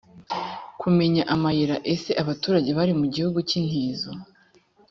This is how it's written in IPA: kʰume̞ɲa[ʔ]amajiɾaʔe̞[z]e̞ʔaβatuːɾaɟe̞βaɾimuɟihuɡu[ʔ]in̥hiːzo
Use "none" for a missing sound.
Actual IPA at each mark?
ʔ, s, c

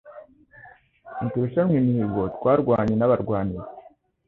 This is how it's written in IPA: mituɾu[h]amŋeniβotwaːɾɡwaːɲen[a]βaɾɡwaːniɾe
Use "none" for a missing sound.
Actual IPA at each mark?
ʃ, a

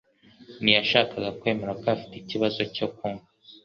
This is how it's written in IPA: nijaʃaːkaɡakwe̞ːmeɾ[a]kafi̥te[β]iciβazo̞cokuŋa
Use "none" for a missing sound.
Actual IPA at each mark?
a, none

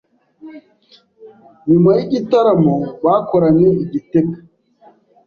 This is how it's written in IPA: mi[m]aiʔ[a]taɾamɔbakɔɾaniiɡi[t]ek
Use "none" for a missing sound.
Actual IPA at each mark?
m, i, t

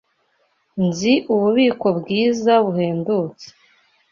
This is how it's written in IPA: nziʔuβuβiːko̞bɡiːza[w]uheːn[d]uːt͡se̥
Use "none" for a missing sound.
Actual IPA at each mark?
β, d

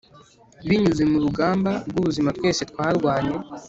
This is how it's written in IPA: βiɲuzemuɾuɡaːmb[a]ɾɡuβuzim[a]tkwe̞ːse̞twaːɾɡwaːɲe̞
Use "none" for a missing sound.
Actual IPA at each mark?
a, a

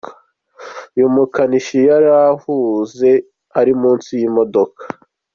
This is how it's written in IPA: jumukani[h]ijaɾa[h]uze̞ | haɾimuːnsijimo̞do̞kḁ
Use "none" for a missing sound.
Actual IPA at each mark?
ʃ, h

